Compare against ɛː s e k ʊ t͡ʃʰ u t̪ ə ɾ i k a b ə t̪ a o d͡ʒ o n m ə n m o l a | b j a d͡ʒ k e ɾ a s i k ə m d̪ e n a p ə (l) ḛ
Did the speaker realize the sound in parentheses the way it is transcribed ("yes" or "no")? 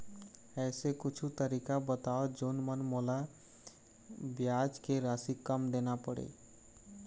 no